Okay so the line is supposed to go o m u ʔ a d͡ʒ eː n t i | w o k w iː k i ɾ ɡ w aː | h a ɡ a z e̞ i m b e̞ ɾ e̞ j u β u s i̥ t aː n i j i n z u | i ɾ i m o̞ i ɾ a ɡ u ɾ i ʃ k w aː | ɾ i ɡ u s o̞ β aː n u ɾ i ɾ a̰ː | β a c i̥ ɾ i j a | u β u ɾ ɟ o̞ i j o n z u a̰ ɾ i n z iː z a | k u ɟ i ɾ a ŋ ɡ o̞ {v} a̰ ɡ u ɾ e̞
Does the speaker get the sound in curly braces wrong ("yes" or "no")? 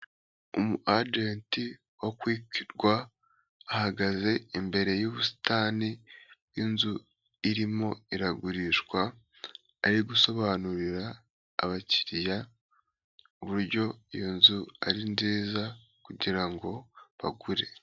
yes